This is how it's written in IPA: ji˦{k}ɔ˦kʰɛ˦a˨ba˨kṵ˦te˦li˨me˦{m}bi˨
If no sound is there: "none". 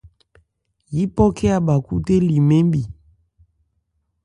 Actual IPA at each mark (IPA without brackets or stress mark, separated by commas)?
p, m